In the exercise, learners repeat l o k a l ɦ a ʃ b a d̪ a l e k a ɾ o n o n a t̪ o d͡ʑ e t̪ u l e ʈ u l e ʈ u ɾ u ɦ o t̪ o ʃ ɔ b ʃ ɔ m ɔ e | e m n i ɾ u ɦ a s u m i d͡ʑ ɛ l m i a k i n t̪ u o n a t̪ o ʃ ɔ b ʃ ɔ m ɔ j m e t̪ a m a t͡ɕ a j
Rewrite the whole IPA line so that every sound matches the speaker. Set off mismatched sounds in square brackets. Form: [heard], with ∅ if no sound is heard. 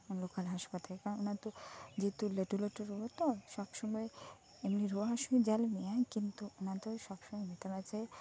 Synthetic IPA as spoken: l o k a l ɦ a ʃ [p] a [t̪] a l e k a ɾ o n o n a t̪ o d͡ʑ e t̪ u l e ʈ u l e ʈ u ɾ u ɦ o t̪ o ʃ ɔ b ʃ ɔ m ɔ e | e m n i ɾ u ɦ a [ʃ] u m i d͡ʑ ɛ l m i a k i n t̪ u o n a t̪ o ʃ ɔ b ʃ ɔ m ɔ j m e t̪ a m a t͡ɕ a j